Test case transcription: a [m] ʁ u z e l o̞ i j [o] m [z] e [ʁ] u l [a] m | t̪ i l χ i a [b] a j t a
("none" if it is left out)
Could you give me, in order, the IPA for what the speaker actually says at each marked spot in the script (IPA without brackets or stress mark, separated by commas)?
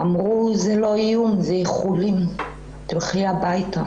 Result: m, u, z, χ, i, b